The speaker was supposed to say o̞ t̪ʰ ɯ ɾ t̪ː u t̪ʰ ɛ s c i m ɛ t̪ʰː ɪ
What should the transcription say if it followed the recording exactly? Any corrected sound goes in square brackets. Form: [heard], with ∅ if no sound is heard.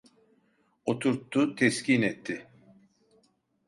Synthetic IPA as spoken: o̞ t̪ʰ [u] ɾ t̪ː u t̪ʰ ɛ s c i [n] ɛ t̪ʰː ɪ